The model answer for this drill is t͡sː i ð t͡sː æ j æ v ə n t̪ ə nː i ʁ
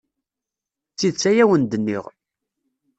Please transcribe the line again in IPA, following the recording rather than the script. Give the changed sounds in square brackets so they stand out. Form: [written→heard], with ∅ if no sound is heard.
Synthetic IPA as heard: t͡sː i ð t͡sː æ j æ [v→w] ə n [t̪→d̪] ə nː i ʁ